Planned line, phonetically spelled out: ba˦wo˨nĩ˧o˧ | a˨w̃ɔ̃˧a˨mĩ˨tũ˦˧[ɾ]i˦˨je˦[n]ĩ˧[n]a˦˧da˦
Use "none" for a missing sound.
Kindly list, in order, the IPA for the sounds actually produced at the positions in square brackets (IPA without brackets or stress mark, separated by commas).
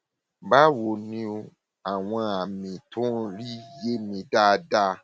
ɾ, m, d